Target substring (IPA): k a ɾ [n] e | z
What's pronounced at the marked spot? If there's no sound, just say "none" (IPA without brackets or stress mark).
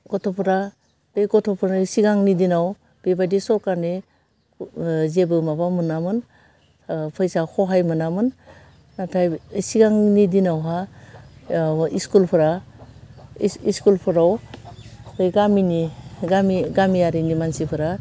n